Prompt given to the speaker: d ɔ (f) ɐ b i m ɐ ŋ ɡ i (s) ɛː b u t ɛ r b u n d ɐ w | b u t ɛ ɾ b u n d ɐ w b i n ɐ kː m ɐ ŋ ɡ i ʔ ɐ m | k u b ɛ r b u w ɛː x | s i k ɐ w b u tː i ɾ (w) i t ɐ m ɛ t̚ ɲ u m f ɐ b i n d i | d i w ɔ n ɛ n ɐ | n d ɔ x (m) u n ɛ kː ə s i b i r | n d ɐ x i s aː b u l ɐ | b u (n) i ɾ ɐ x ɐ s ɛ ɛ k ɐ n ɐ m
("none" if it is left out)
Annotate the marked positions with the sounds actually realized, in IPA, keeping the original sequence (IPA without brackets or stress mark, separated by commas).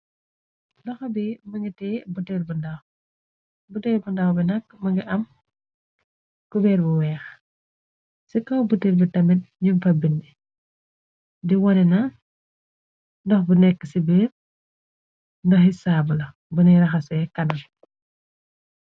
x, t, b, b, n